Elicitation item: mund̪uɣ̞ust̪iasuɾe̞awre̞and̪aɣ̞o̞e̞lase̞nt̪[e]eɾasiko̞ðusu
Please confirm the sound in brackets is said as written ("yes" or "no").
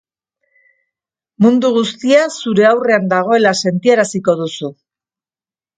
no